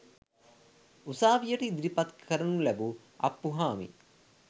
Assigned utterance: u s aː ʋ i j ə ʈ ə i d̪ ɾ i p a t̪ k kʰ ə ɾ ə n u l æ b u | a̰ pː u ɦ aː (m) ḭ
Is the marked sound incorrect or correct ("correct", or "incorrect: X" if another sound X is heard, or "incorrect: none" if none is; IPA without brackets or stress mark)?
correct